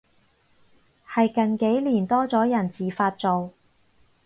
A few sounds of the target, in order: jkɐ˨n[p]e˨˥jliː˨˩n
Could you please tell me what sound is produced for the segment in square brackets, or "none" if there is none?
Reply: k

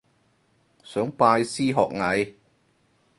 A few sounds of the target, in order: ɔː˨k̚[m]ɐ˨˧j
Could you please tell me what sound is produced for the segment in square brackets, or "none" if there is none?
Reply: ŋ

